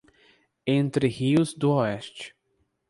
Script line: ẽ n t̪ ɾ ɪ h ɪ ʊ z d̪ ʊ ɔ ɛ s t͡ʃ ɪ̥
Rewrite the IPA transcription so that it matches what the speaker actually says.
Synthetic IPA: ẽ n t̪ ɾ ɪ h i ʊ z d̪ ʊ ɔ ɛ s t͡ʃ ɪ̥